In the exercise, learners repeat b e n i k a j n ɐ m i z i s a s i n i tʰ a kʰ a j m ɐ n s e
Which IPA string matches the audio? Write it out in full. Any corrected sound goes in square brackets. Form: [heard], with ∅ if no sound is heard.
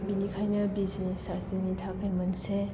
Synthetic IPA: b [i] n i [kʰ] a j n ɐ [b] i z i s a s i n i tʰ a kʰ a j m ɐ n s e